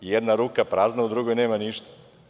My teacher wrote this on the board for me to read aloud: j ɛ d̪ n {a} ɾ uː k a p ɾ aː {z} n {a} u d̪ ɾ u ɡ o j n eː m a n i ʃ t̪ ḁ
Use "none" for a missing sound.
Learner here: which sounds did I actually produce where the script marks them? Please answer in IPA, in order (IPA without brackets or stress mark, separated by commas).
a, z, a